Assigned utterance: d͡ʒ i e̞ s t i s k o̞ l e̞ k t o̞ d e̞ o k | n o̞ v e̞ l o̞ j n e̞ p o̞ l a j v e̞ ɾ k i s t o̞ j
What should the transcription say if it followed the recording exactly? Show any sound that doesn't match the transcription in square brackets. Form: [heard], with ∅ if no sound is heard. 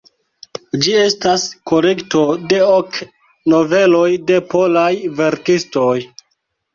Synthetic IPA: d͡ʒ i e̞ s t [a] s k o̞ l e̞ k t o̞ d e̞ o k | n o̞ v e̞ l o̞ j [d] e̞ p o̞ l a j v e̞ ɾ k i s t o̞ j